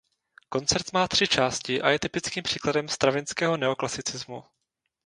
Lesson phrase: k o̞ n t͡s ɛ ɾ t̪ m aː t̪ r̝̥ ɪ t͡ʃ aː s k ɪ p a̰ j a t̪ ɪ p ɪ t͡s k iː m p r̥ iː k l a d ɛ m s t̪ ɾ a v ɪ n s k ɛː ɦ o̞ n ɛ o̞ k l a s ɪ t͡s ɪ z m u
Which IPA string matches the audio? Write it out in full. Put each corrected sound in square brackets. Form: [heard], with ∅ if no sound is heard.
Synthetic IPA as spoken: k o̞ n t͡s ɛ ɾ t̪ m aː t̪ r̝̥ ɪ t͡ʃ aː s [c] ɪ [ʔ] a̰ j [ɛ] t̪ ɪ p ɪ t͡s k iː m p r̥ iː k l a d ɛ m s t̪ ɾ a v ɪ n s k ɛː ɦ o̞ n ɛ o̞ k l a s ɪ t͡s ɪ z m u